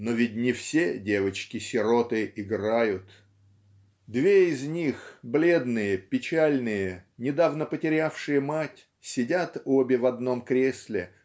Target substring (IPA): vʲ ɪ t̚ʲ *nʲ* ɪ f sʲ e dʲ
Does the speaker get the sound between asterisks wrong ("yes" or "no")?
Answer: no